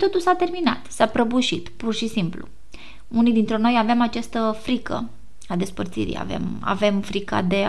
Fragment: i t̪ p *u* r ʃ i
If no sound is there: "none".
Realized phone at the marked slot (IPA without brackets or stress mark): u